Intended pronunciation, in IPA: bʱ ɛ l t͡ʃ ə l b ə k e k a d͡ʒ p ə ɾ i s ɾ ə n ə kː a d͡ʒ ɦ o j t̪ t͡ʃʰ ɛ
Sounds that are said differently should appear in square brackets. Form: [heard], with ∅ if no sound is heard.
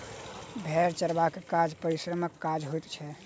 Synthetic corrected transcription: bʱ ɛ [ɾ] t͡ʃ ə [ɾ] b [a] k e k a d͡ʒ p ə ɾ i s ɾ ə [m] ə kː a d͡ʒ ɦ o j t̪ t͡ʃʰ ɛ